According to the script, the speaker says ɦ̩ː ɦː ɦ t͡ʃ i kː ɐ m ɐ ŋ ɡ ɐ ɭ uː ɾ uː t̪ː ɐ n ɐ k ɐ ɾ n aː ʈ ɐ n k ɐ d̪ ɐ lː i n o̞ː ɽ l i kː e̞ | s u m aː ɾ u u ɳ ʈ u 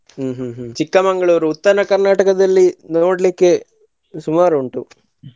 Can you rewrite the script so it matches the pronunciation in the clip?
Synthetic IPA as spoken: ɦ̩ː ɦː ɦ t͡ʃ i kː ɐ m ɐ ŋ ɡ ɐ ɭ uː ɾ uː t̪ː ɐ n ɐ k ɐ ɾ n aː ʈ ɐ k ɐ d̪ ɐ lː i n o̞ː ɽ l i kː e̞ | s u m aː ɾ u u ɳ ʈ u